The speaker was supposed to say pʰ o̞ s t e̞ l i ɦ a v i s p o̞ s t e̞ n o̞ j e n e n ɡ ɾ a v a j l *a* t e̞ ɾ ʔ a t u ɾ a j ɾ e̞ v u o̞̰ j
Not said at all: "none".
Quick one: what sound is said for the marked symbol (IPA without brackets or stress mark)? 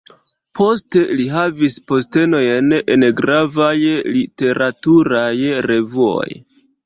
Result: i